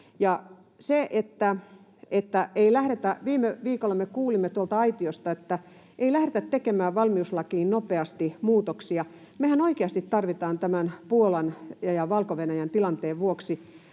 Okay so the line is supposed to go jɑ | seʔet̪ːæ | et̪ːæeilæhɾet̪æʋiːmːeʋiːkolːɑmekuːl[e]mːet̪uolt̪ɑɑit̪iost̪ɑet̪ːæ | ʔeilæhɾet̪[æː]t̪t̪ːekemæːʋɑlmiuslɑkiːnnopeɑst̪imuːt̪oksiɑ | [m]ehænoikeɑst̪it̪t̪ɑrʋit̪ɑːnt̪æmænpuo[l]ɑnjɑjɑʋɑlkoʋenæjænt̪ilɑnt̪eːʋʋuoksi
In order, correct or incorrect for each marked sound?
incorrect: i, incorrect: æ, correct, correct

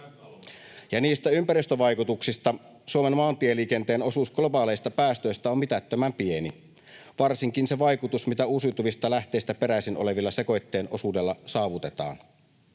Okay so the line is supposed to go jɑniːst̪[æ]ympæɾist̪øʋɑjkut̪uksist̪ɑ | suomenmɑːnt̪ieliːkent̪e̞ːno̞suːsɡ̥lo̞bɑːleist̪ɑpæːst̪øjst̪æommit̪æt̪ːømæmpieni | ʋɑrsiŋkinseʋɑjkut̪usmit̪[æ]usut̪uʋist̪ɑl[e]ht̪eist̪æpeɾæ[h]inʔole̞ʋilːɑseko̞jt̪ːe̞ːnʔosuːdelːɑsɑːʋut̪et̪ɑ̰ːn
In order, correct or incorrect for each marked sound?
correct, correct, incorrect: æ, incorrect: s

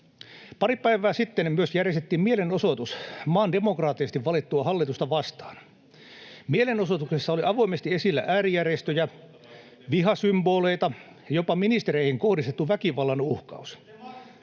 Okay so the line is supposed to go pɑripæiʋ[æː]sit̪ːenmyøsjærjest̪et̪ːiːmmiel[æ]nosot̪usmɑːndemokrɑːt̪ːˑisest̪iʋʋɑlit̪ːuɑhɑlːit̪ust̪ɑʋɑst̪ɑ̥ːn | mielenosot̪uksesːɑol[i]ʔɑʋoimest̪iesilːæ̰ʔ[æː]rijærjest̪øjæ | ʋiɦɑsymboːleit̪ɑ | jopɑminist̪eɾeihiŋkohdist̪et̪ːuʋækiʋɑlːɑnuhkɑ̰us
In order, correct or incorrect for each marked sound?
correct, incorrect: e, correct, correct

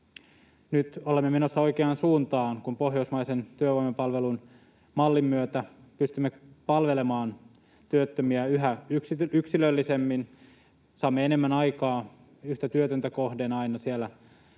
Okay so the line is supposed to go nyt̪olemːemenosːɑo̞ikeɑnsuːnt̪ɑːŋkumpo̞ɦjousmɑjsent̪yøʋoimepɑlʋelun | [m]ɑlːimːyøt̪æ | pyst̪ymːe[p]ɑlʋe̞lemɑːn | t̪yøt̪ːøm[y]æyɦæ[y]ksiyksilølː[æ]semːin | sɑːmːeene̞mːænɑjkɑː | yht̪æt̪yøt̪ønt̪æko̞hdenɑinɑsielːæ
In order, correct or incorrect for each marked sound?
correct, correct, incorrect: i, correct, incorrect: i

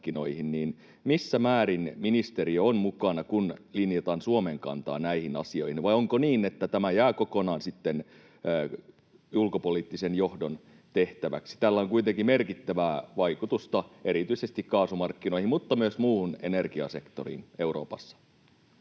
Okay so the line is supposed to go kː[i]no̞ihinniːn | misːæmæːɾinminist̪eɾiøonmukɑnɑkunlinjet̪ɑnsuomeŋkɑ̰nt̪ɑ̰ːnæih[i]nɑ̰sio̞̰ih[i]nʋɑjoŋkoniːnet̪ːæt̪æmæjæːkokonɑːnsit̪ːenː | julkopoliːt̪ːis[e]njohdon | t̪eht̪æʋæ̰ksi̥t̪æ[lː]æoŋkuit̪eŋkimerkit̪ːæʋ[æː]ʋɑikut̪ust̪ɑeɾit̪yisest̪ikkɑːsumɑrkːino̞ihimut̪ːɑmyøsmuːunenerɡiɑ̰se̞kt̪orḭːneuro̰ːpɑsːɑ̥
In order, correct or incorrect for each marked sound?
correct, correct, correct, correct, correct, correct

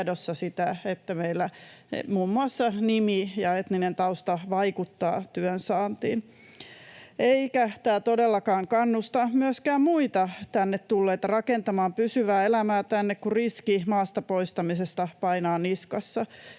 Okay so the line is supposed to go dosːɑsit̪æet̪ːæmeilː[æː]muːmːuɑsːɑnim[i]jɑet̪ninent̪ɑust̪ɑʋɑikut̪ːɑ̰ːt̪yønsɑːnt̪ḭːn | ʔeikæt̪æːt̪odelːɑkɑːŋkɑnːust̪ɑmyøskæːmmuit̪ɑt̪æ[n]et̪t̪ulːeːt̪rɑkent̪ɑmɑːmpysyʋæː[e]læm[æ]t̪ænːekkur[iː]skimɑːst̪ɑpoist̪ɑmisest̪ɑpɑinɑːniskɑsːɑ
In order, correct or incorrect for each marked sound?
incorrect: æ, correct, incorrect: nː, correct, incorrect: æː, incorrect: i

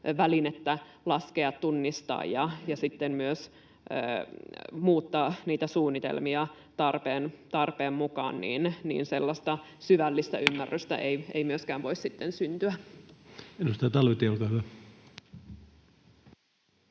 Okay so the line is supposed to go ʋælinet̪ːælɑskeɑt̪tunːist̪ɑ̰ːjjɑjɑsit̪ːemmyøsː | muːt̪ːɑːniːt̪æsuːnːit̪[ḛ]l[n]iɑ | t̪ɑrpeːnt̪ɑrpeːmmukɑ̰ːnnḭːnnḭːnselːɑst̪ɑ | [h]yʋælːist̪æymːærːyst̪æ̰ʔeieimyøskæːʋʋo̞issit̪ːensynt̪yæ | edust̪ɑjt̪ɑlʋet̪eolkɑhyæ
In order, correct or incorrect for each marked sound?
correct, incorrect: m, incorrect: s

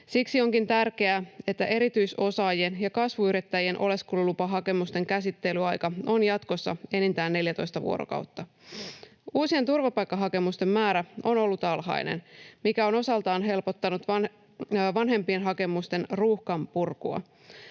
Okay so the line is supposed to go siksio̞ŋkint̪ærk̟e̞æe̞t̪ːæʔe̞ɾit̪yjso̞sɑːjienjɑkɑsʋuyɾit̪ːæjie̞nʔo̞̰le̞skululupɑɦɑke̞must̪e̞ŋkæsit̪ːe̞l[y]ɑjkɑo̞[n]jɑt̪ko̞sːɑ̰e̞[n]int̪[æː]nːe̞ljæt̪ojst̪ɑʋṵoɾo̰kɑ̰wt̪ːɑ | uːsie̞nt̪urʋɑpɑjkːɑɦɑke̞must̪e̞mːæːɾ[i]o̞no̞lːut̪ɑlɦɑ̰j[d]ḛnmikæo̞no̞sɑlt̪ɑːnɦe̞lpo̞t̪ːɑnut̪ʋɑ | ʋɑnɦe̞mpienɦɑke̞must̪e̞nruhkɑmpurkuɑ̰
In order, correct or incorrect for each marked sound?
correct, correct, correct, correct, incorrect: æ, incorrect: n

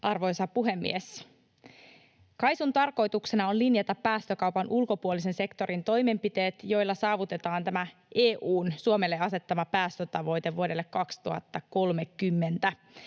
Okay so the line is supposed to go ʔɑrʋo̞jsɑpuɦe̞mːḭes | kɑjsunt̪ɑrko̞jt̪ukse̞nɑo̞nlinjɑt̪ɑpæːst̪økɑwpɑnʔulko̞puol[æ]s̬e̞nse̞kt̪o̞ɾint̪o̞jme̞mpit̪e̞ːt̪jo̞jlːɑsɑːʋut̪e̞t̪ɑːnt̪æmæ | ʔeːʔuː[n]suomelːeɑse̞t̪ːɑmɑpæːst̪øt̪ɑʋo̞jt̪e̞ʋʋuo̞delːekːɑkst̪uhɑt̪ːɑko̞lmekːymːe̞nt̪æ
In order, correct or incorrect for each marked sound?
incorrect: i, correct

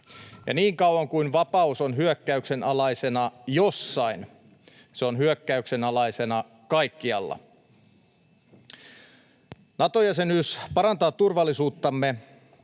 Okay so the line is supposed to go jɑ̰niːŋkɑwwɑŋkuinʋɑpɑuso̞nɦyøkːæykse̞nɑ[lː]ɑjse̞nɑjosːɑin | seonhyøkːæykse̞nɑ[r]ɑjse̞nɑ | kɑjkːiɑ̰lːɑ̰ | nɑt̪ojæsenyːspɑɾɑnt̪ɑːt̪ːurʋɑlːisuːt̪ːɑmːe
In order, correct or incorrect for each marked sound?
incorrect: l, incorrect: l

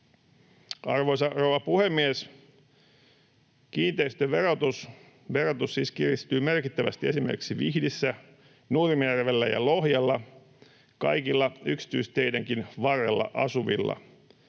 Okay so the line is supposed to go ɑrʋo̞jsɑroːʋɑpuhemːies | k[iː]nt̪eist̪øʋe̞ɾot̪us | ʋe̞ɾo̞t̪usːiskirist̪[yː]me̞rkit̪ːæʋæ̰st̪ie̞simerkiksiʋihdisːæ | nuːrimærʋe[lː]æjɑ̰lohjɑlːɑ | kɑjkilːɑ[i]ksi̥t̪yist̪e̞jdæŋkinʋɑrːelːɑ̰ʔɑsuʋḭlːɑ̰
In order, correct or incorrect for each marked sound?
correct, correct, correct, incorrect: y

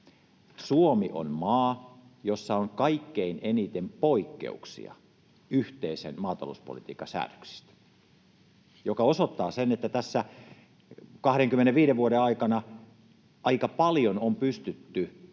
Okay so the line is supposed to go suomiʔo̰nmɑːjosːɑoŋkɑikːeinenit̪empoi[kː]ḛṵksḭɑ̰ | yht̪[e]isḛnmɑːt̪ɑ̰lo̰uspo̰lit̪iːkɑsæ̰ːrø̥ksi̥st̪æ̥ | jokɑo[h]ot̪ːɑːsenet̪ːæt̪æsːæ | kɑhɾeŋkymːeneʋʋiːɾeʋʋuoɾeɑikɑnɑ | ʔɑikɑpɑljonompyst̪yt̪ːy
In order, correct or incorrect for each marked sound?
correct, correct, incorrect: s

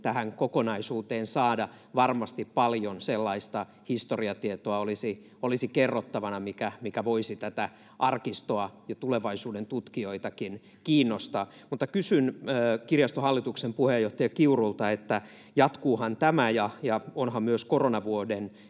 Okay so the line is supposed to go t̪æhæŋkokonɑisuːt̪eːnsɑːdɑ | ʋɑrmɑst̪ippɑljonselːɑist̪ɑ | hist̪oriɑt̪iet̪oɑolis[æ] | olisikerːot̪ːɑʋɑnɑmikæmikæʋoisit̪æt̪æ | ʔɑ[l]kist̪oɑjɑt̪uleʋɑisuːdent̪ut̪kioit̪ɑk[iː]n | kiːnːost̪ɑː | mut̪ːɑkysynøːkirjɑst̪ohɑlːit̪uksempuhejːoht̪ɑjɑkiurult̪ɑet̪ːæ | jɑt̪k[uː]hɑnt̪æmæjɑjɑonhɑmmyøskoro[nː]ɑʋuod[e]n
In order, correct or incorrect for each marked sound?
incorrect: i, incorrect: r, incorrect: i, correct, incorrect: n, correct

